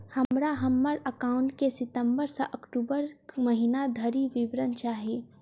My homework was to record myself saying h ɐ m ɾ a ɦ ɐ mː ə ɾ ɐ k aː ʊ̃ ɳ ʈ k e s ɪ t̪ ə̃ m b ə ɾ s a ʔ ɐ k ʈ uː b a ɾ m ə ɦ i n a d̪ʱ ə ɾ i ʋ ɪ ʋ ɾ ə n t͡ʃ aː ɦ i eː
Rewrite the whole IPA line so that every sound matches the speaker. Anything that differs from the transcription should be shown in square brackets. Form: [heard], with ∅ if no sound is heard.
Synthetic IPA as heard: h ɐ m ɾ a ɦ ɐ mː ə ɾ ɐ k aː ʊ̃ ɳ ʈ k e s ɪ t̪ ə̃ m b ə ɾ s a ʔ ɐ k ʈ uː b [ə] ɾ m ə ɦ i n a d̪ʱ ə ɾ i ʋ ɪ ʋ ɾ ə n t͡ʃ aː ɦ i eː